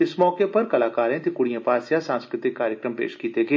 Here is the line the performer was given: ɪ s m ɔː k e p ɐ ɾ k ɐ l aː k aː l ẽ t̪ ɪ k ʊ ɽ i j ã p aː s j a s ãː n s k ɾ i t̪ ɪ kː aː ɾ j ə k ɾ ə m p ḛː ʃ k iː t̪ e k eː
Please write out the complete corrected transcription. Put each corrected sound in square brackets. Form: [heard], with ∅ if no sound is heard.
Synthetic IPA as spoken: ɪ s m ɔː k e p ɐ ɾ k ɐ l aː k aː [ɾ] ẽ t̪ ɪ k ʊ ɽ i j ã p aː s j a s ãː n s k ɾ [ɪ] t̪ ɪ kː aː ɾ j ə k ɾ ə m p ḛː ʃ k iː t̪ e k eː